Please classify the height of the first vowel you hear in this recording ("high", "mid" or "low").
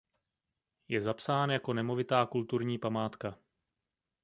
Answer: mid